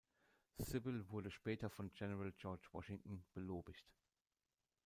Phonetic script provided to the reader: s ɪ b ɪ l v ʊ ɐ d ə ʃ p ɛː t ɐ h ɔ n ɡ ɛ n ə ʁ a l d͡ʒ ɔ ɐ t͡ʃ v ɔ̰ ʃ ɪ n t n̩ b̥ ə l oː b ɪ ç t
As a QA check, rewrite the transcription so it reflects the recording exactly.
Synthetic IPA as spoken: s ɪ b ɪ l v ʊ ɐ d ə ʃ p ɛː t ɐ f ɔ n ɡ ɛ n ə ʁ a l d͡ʒ ɔ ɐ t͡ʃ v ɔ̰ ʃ ɪ ŋ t n̩ b̥ ə l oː b ɪ ç t